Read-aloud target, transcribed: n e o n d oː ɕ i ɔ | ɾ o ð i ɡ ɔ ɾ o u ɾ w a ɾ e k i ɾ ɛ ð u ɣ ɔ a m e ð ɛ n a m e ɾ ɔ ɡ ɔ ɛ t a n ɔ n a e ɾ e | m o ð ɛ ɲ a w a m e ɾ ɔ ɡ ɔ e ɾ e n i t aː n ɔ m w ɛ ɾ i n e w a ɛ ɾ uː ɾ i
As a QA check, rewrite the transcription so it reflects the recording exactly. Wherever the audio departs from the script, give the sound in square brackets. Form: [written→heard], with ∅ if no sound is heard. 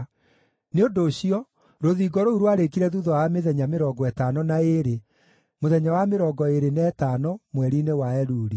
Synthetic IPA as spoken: n e o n d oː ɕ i ɔ | ɾ o ð i ɡ ɔ ɾ o u ɾ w a ɾ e k i ɾ ɛ ð u [ɣ→ð] ɔ a m e ð ɛ [n→ɲ] a m e ɾ ɔ ɡ ɔ ɛ t a n ɔ n a e ɾ e | m o ð ɛ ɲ a w a m e ɾ ɔ ɡ ɔ e ɾ e n [i→ɛ] t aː n ɔ m w ɛ ɾ i n e w a ɛ ɾ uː ɾ i